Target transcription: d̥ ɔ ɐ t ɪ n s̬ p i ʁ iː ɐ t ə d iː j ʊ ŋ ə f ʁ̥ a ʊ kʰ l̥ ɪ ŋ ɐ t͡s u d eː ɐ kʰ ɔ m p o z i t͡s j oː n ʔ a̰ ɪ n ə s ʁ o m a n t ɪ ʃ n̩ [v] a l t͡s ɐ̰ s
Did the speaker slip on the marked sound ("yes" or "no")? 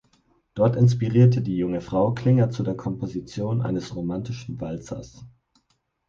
no